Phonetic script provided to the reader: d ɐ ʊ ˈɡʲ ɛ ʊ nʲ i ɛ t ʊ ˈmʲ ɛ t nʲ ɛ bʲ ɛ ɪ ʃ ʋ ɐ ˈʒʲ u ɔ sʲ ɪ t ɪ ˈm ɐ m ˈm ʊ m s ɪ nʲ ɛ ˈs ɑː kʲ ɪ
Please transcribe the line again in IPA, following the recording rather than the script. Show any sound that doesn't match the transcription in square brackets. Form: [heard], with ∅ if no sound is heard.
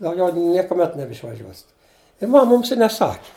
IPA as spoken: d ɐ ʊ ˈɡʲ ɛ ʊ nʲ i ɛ [k] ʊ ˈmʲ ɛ t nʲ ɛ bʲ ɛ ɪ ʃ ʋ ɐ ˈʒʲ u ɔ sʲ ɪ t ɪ ˈm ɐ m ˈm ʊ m s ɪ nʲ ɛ ˈs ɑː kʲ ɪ